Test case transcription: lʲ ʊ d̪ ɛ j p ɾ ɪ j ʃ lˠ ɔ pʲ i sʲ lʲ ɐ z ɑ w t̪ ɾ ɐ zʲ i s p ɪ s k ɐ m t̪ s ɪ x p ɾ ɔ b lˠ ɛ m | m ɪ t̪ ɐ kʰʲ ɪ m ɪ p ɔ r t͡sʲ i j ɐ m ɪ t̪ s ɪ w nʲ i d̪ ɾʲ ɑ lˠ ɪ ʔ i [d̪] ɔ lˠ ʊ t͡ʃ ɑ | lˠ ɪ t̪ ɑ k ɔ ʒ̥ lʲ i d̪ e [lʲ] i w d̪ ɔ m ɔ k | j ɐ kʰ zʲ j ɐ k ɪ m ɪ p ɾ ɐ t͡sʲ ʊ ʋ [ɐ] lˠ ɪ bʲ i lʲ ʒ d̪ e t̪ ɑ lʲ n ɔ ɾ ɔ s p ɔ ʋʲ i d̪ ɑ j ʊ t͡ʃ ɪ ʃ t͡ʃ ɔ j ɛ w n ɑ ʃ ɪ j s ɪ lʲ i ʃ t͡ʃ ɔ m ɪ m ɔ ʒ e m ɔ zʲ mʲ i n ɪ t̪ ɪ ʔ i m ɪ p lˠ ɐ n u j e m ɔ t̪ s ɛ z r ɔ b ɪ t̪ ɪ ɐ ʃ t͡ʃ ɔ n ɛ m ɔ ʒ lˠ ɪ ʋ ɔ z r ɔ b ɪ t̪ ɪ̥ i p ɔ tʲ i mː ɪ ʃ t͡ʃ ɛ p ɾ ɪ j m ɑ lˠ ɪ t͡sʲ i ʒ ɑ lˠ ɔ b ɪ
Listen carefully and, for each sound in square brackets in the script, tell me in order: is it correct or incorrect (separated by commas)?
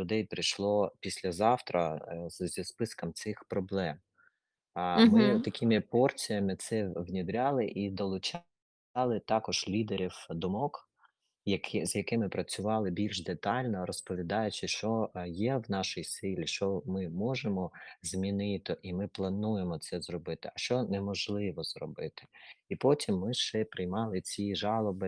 correct, incorrect, incorrect